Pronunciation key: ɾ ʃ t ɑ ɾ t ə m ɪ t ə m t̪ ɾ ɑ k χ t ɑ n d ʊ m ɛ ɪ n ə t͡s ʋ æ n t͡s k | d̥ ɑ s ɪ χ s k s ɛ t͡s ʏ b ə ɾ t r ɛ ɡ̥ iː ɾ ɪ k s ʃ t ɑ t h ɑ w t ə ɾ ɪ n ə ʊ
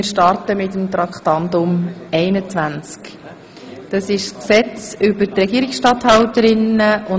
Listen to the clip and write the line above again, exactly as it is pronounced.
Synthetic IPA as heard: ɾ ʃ t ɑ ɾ t ə m ɪ t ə m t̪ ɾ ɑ k χ t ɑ n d ʊ m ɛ ɪ n ə t͡s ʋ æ n t͡s k | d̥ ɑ s ɪ ʃ s k s ɛ t͡s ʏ b ə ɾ t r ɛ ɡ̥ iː ɾ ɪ k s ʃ t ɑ t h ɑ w t ə ɾ ɪ n ə ʊ